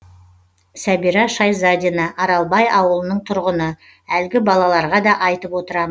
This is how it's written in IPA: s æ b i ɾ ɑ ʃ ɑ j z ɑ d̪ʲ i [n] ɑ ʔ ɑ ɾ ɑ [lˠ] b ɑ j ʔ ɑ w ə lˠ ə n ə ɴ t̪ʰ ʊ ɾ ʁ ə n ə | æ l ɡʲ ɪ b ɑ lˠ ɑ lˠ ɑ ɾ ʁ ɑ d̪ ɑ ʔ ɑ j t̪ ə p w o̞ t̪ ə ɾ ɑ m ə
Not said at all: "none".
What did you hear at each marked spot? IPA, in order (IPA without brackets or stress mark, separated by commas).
n, lˠ